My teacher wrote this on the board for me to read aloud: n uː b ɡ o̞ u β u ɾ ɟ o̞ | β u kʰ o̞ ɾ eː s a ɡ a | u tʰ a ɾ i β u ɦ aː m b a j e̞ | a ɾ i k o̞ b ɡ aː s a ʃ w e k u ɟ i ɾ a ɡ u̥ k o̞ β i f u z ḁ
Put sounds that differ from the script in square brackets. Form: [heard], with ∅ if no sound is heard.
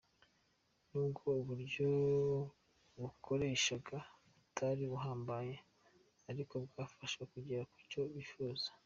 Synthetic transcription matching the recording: n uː b ɡ o̞ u β u ɾ ɟ o̞ | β u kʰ o̞ ɾ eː [ʃ] a ɡ a | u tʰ a ɾ i β u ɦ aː m b a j e̞ | a ɾ i k o̞ b ɡ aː [f] a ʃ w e k u ɟ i ɾ a [k] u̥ [c] o̞ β i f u z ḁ

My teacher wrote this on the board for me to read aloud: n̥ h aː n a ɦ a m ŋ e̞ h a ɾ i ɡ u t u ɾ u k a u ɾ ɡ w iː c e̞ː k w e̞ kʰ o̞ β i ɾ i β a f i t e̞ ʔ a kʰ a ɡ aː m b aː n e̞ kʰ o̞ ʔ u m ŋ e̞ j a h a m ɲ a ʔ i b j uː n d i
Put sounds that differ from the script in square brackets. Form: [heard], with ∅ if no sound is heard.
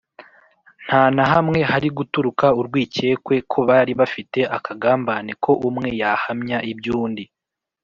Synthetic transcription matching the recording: n̥ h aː n a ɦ a m ŋ e̞ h a ɾ i ɡ u t u ɾ u k a u ɾ ɡ w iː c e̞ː k w e̞ kʰ o̞ β [a] ɾ i β a f i t e̞ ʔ a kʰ a ɡ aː m b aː n e̞ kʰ o̞ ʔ u m ŋ e̞ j a h a m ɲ a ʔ i b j uː n d i

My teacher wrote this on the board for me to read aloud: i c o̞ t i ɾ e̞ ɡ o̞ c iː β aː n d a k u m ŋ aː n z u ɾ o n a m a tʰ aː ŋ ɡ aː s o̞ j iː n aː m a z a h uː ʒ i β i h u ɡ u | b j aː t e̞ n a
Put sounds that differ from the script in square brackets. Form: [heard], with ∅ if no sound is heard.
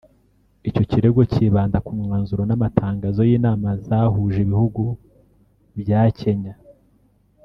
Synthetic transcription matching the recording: i c o̞ [c] i ɾ e̞ ɡ o̞ c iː β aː n d a k u m ŋ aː n z u ɾ o n a m a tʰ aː ŋ ɡ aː [z] o̞ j iː n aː m a z a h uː ʒ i β i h u ɡ u | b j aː [c] e̞ [ɲ] a

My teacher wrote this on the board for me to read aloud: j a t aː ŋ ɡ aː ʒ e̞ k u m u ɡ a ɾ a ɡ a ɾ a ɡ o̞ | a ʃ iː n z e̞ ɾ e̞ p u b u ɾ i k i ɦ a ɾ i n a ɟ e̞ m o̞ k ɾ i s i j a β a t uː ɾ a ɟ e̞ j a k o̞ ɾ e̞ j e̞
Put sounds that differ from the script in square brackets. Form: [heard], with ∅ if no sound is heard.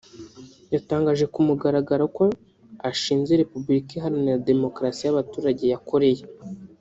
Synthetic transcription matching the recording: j a t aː ŋ ɡ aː ʒ e̞ k u m u ɡ a ɾ a ɡ a ɾ a [k] o̞ | a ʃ iː n z e̞ ɾ e̞ p u b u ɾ i k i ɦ a ɾ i n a [d] e̞ m o̞ k ɾ [a] s i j a β a t uː ɾ a ɟ e̞ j a k o̞ ɾ e̞ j e̞

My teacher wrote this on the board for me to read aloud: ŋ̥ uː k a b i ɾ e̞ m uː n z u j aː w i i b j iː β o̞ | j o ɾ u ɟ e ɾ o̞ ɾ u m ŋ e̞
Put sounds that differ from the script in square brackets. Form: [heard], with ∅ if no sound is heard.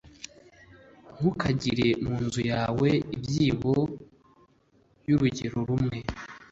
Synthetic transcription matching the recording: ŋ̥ [u] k a [ɟ] i ɾ e̞ m uː n z u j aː w [e] i b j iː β o̞ | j [u] ɾ u ɟ e ɾ o̞ ɾ u m ŋ e̞

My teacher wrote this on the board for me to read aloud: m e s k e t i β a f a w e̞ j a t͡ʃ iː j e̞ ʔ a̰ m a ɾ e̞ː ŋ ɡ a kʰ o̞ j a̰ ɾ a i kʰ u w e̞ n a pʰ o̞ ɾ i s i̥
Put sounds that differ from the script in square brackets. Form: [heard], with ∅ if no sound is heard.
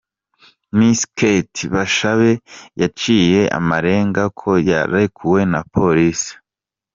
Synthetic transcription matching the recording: m [i] s k e t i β a [ʃ] a [β] e̞ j a t͡ʃ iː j e̞ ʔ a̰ m a ɾ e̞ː ŋ ɡ a kʰ o̞ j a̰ ɾ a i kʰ u w e̞ n a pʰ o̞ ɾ i s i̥

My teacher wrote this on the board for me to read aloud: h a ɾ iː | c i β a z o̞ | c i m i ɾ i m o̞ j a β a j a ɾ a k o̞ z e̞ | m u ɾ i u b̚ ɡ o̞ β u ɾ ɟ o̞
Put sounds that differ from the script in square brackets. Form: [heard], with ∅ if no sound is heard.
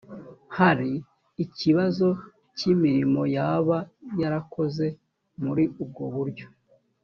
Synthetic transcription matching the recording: h a ɾ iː | c i β a z o̞ | c i m i ɾ i m o̞ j a β a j a ɾ a k o̞ z e̞ | m u ɾ i u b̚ ɡ o̞ β u ɾ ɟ o̞

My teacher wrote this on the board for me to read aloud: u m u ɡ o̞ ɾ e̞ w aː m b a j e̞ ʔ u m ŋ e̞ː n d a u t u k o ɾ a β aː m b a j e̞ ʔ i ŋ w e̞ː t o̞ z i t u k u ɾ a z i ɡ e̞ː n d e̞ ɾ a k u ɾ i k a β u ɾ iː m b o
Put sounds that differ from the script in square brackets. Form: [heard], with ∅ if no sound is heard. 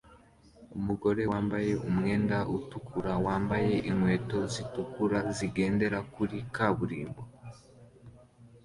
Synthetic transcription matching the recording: u m u ɡ o̞ ɾ e̞ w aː m b a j e̞ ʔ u m ŋ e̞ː n d a u t u k [u] ɾ a [w] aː m b a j e̞ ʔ i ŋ w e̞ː t o̞ z i t u k u ɾ a z i ɡ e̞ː n d e̞ ɾ a k u ɾ i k a β u ɾ iː m b o

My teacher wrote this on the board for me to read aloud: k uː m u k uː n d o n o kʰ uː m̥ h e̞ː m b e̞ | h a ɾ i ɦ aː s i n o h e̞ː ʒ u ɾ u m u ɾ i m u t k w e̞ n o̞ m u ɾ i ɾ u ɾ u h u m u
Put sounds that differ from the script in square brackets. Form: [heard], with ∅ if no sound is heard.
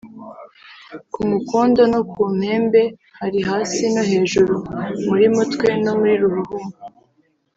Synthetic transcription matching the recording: k [u] m u k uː n d o n o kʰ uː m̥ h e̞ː m b e̞ | h a ɾ i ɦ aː s i n o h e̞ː ʒ u ɾ u m u ɾ i m u t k w e̞ n o̞ m u ɾ i ɾ u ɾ u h u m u

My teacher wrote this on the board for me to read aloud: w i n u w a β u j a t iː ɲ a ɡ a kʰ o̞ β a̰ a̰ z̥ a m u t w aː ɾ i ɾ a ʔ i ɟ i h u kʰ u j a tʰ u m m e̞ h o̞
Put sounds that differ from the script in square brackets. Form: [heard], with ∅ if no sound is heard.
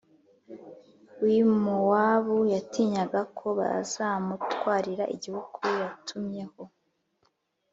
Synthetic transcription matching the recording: w i [m] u w a β u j a t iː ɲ a ɡ a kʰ o̞ β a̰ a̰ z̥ a m u t w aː ɾ i ɾ a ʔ i ɟ i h u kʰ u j a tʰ u m [ɲ] e̞ h o̞

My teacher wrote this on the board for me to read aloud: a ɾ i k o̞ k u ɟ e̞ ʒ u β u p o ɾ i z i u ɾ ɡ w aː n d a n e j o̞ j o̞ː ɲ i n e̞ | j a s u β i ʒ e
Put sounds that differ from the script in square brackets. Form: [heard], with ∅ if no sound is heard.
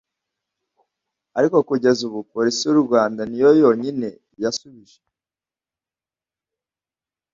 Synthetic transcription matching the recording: a ɾ i k o̞ k u ɟ e̞ [z] u β u p o ɾ i [s] i u ɾ ɡ w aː n d a n [i] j o̞ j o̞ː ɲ i n e̞ | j a s u β i ʒ e

